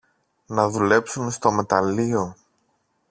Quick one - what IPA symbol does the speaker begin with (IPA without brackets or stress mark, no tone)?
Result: n